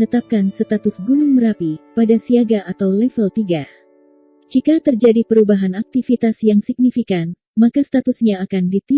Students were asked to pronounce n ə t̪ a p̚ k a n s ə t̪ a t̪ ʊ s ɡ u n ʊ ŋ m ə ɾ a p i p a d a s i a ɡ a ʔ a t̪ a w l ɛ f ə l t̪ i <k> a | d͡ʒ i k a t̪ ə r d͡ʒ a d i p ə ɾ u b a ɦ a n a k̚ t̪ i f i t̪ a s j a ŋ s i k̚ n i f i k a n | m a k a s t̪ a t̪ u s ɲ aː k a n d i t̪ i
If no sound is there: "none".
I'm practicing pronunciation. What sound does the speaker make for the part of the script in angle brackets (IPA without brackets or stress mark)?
ɡ